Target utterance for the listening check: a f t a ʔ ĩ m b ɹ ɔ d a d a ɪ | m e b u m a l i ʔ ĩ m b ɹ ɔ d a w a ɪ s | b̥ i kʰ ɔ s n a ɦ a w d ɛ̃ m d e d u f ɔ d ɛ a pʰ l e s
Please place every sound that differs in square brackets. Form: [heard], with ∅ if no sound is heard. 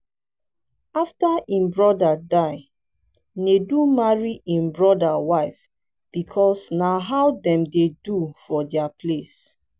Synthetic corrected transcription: a f t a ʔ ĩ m b ɹ ɔ d a d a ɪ | [n] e [d] u m a [ɹ] i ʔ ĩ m b ɹ ɔ d a w a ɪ [f] | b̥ i kʰ ɔ s n a ɦ a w d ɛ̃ m d e d u f ɔ d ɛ a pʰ l e s